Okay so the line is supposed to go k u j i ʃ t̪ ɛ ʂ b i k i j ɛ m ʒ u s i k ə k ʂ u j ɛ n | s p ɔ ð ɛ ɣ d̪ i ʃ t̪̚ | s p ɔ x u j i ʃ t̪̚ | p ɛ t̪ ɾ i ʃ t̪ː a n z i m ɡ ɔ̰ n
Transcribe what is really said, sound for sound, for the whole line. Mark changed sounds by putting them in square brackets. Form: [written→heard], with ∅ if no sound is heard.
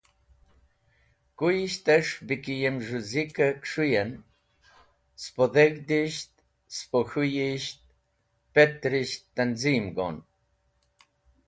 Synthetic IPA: k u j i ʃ t̪ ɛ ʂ b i k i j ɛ m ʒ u [s→z] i k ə k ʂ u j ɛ n | s p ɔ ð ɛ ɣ d̪ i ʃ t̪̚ | s p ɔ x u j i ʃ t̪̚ | p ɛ t̪ ɾ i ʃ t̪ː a n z i m ɡ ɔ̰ n